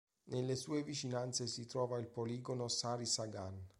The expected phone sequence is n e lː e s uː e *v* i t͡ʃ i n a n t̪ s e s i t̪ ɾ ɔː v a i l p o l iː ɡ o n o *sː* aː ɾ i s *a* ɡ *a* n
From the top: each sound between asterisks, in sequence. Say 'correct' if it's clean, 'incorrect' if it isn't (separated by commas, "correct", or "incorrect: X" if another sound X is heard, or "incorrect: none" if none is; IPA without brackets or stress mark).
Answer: correct, incorrect: s, correct, correct